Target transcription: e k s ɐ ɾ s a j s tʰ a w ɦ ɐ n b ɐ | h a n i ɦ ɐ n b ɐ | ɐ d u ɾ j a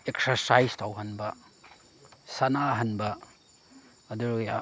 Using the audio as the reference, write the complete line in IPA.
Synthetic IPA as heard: e k s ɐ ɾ s a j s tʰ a w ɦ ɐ n b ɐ | s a n a ɦ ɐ n b ɐ | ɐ d u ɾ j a